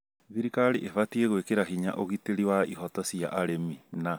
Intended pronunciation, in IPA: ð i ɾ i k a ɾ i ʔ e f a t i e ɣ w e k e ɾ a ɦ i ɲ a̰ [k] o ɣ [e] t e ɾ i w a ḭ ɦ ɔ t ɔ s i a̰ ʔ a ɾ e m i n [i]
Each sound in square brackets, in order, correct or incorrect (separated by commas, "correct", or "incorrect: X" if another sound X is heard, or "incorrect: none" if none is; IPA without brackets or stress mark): incorrect: ʔ, incorrect: i, incorrect: a